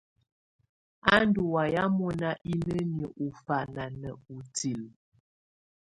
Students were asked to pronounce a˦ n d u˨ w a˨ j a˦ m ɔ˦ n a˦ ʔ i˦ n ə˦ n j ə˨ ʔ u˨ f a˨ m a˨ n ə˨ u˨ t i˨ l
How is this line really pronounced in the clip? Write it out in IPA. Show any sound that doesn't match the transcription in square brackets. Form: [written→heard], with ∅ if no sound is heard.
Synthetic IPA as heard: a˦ n d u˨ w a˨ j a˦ m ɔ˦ n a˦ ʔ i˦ n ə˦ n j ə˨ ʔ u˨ f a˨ [m→n] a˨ n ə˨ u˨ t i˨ l

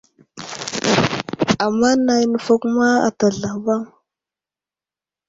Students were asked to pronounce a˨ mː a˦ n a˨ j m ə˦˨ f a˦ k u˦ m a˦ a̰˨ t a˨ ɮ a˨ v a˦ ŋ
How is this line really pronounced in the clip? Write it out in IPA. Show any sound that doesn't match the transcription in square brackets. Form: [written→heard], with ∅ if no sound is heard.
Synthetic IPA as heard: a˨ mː a˦ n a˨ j [m→n] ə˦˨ f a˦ k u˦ m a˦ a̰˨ t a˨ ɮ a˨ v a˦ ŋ

